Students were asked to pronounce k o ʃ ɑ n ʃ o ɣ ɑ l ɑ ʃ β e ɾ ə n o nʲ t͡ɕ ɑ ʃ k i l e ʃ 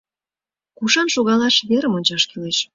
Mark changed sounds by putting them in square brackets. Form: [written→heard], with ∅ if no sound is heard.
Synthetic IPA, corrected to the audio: k [o→u] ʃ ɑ n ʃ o ɣ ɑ l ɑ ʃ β e ɾ ə [n→m] o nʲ t͡ɕ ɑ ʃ k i l e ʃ